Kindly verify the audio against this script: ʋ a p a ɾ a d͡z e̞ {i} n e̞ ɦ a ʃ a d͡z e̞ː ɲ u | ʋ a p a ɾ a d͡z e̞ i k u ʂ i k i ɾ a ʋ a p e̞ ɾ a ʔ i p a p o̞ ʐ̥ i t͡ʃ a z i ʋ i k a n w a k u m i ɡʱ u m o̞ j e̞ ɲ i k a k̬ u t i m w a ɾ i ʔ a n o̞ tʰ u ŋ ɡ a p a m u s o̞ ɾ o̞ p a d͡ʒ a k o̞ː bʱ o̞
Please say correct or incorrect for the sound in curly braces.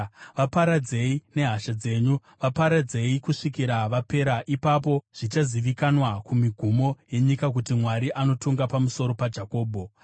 correct